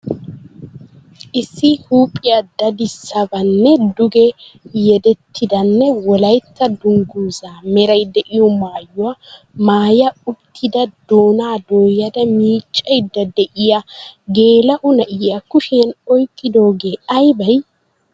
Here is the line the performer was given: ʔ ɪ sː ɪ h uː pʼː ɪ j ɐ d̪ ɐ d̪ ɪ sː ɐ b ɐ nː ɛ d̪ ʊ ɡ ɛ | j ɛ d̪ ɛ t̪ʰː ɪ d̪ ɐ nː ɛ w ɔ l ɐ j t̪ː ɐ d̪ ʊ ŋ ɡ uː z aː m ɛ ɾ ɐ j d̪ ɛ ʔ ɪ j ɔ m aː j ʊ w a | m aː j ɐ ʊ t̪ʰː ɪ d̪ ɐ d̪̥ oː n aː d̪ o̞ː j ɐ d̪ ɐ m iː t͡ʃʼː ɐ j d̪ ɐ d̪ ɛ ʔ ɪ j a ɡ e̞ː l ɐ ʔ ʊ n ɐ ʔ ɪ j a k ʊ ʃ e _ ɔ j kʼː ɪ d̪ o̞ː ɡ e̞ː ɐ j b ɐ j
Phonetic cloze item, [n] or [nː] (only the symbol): n